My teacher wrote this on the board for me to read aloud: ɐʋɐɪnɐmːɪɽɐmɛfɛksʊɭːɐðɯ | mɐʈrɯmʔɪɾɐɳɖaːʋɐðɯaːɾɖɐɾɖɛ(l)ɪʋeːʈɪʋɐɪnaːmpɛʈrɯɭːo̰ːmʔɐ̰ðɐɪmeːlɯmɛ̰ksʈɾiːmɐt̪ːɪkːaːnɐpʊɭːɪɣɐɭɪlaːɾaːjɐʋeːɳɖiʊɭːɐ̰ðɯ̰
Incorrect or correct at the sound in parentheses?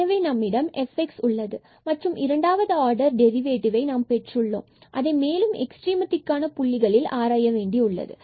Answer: incorrect: ɾ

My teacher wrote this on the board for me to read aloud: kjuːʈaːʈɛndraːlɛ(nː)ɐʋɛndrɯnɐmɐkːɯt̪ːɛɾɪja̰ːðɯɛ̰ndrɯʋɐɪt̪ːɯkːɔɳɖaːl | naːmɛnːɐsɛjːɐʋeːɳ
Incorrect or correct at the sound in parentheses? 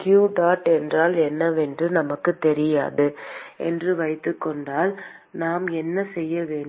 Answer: correct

